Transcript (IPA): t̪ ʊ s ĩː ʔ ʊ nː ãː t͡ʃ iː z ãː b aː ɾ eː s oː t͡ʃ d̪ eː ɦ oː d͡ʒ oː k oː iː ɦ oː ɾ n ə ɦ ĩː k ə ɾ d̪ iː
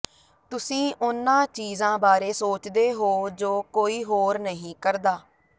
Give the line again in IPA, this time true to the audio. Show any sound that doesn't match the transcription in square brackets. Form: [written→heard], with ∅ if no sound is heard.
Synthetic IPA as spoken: t̪ ʊ s ĩː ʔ ʊ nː ãː t͡ʃ iː z ãː b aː ɾ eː s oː t͡ʃ d̪ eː ɦ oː d͡ʒ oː k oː iː ɦ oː ɾ n ə ɦ ĩː k ə ɾ d̪ [iː→aː]